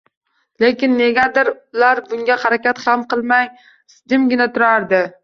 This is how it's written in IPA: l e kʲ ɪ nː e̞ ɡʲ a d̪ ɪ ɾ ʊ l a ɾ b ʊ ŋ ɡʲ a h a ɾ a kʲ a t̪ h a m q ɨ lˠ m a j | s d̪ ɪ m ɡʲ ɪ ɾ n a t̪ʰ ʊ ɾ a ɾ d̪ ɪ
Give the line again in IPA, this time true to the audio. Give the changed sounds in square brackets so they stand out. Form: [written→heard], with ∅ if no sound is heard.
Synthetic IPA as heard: l e kʲ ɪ nː e̞ ɡʲ a d̪ ɪ ɾ ʊ l a ɾ b ʊ ŋ ɡʲ a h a ɾ a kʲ a t̪ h a m q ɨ lˠ m a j | s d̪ ɪ m ɡʲ ɪ [ɾ→∅] n a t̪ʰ ʊ ɾ a ɾ d̪ ɪ